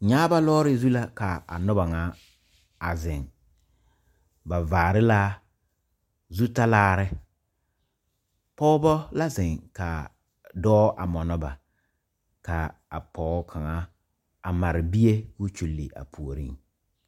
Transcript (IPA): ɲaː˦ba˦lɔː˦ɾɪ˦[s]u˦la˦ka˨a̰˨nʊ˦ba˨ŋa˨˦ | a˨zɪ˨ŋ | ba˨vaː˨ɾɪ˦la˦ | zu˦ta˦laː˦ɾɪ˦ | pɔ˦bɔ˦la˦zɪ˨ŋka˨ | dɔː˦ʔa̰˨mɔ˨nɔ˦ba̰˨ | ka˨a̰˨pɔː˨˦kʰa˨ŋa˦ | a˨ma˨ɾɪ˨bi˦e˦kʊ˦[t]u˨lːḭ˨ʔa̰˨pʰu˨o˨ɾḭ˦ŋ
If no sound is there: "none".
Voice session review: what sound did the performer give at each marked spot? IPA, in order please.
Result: z, t͡ʃ

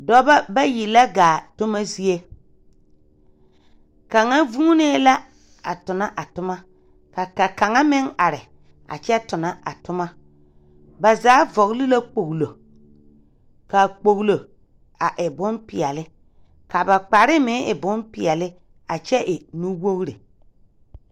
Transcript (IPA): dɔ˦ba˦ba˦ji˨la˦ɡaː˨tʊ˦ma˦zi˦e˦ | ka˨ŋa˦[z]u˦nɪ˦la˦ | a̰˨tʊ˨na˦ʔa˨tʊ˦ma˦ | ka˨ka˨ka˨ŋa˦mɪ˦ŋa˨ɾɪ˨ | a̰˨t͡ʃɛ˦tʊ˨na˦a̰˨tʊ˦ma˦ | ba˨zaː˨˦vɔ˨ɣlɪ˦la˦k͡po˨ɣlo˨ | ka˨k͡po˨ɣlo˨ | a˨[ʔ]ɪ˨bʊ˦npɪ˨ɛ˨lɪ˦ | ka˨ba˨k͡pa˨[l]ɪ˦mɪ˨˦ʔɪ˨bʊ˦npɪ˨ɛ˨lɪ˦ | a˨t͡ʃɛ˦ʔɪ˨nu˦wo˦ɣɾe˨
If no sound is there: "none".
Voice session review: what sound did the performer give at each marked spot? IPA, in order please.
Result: v, ʔ, ɾ

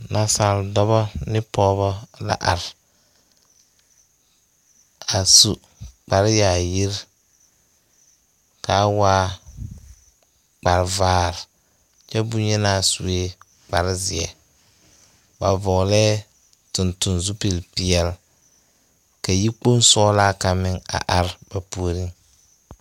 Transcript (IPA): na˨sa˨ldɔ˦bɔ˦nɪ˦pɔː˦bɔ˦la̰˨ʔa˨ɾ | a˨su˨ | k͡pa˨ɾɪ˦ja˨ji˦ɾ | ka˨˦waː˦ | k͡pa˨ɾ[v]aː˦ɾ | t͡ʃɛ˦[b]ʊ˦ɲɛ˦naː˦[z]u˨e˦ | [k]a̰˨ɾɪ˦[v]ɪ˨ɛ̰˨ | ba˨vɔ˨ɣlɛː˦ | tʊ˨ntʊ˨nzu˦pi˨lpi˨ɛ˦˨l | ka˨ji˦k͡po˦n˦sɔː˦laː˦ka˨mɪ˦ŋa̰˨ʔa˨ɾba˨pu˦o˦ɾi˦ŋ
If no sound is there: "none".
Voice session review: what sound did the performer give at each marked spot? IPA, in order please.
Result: v, b, s, k͡p, z

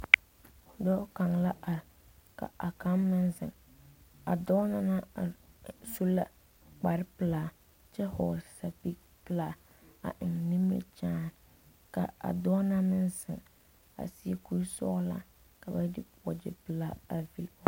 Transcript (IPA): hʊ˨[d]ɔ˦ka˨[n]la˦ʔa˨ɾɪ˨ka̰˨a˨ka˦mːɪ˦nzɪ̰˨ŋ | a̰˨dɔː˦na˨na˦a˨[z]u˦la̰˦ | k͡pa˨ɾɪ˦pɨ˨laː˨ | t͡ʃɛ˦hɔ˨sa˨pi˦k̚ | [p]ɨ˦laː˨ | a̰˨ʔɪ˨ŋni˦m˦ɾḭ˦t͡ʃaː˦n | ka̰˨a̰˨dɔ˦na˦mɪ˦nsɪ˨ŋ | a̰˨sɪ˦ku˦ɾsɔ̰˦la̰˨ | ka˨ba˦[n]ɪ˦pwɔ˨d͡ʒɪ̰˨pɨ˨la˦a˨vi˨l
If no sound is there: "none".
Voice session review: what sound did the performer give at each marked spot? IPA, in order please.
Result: d, ŋ, s, p, d

